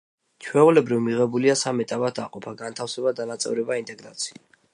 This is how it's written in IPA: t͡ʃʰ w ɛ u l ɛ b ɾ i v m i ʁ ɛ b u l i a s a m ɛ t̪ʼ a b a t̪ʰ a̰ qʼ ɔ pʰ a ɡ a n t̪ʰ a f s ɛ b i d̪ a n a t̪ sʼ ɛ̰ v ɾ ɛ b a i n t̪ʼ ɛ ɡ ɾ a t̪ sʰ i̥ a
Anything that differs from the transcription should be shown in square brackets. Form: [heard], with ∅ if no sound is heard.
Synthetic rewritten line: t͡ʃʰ w ɛ u l ɛ b ɾ i v m i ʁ ɛ b u l i a s a m ɛ t̪ʼ a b a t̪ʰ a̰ qʼ ɔ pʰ a ɡ a n t̪ʰ a f s ɛ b [a] d̪ a n a t̪ sʼ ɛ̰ v ɾ ɛ b a i n t̪ʼ ɛ ɡ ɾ a t̪ sʰ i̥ a